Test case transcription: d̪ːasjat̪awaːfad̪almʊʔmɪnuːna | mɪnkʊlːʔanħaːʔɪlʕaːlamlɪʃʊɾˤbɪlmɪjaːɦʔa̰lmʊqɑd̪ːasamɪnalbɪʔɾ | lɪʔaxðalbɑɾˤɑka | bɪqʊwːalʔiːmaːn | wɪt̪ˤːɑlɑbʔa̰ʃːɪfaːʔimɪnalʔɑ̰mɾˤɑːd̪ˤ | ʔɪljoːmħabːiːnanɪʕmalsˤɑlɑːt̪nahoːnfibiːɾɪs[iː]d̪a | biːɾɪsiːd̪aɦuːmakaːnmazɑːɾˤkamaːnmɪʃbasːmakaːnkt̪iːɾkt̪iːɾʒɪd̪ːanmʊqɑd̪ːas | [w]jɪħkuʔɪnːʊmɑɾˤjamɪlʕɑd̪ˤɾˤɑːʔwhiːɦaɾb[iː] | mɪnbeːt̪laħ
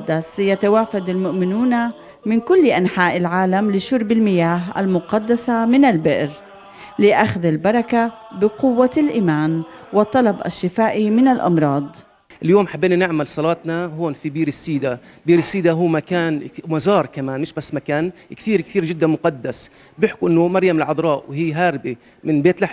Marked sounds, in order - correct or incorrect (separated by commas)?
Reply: correct, incorrect, incorrect